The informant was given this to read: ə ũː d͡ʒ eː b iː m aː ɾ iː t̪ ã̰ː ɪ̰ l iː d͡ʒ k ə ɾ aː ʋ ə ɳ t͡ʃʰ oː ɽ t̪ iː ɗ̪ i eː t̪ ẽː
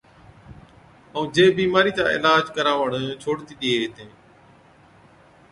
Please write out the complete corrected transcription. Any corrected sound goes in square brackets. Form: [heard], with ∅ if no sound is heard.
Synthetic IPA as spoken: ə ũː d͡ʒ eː b iː m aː ɾ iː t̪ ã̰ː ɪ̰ l [aː] d͡ʒ k ə ɾ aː ʋ ə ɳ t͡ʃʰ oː ɽ t̪ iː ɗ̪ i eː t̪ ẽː